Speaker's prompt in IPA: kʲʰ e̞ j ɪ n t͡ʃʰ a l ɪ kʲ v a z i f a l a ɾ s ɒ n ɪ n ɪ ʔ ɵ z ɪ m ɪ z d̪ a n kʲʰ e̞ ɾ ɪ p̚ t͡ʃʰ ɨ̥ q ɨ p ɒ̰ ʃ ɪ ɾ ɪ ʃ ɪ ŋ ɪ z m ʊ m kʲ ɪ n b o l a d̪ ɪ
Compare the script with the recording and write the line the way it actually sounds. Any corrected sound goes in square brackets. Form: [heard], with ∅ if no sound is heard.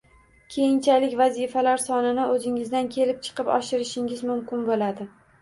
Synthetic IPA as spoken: kʲʰ e̞ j ɪ n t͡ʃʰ a l ɪ kʲ v a z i f a l a ɾ s ɒ n ɪ n ɪ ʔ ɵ z ɪ [ŋ] ɪ z d̪ a n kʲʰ e̞ [l] ɪ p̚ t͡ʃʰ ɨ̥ q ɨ p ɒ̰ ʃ ɪ ɾ ɪ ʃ ɪ ŋ ɪ z m ʊ m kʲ ɪ n b o l a d̪ ɪ